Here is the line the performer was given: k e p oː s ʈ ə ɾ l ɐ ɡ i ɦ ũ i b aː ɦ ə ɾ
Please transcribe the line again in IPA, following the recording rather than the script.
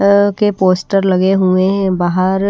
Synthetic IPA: k e p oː s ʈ ə ɾ l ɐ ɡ e ɦ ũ e b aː ɦ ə ɾ